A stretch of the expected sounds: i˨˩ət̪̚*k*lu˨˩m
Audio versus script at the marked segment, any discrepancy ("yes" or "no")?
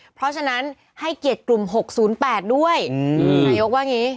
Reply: no